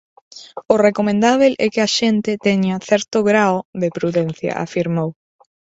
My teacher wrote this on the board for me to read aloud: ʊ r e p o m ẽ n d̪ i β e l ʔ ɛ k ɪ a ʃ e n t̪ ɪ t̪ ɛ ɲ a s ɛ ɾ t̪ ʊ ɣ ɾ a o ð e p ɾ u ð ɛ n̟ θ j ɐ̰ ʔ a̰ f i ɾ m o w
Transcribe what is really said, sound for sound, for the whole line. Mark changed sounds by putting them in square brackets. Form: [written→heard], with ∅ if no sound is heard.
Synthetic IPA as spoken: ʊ r e [p→k] o m ẽ n d̪ [i→a] β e l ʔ ɛ k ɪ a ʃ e n t̪ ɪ t̪ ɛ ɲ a [s→θ] ɛ ɾ t̪ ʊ ɣ ɾ a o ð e p ɾ u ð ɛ n̟ θ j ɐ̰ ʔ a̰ f i ɾ m o w